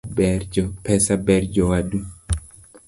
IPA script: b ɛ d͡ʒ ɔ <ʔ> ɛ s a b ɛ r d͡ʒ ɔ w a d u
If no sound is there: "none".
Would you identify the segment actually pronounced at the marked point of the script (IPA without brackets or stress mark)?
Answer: p